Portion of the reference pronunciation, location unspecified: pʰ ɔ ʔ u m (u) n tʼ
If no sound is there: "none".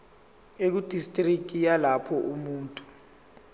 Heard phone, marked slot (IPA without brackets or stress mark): uː